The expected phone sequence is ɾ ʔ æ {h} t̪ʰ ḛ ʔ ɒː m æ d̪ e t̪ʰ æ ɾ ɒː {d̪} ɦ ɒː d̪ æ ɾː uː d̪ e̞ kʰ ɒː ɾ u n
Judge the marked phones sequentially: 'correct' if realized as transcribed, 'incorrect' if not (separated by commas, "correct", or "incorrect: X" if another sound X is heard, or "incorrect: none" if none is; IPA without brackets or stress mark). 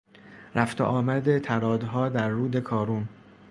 incorrect: f, correct